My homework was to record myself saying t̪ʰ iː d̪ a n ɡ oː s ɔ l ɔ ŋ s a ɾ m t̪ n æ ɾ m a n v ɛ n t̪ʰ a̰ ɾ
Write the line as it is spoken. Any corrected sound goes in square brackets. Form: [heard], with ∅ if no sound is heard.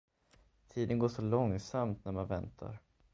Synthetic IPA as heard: t̪ʰ iː d̪ [ə] n ɡ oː [ʂ] ɔ l ɔ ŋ s a [∅] m t̪ n æ ɾ m a n v ɛ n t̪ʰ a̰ ɾ